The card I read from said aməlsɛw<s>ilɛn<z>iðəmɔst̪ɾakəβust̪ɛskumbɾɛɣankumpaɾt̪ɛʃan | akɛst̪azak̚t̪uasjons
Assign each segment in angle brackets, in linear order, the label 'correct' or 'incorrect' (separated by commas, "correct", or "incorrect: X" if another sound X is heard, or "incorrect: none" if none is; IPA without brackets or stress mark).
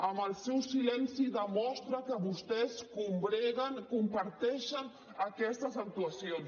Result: correct, incorrect: s